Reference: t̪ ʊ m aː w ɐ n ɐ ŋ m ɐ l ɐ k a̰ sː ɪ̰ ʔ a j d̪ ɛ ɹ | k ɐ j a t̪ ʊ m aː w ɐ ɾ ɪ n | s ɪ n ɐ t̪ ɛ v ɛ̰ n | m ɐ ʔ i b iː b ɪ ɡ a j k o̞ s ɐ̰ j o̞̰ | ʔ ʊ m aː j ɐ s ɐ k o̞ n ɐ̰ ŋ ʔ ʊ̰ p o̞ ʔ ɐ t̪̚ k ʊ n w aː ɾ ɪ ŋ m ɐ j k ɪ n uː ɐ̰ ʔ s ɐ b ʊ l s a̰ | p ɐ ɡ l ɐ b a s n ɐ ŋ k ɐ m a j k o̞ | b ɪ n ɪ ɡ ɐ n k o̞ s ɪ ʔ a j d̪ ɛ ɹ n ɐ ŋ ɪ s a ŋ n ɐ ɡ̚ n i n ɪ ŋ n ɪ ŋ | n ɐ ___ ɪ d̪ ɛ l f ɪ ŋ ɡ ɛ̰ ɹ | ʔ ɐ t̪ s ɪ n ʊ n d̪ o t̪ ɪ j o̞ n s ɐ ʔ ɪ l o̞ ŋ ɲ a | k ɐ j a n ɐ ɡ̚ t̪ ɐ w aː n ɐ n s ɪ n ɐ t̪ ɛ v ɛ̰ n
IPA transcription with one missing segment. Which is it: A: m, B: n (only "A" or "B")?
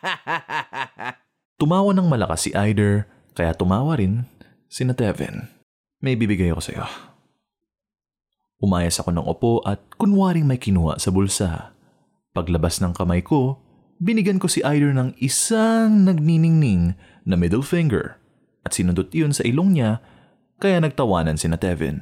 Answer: A